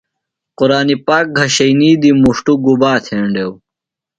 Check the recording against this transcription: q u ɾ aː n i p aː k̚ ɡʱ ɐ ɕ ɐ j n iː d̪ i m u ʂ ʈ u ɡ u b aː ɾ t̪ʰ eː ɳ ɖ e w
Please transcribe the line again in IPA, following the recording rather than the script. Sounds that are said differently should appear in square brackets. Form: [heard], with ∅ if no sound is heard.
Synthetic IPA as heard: q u ɾ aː n i p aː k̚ ɡʱ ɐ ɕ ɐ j n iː d̪ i m u ʂ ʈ u ɡ u b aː [∅] t̪ʰ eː ɳ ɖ e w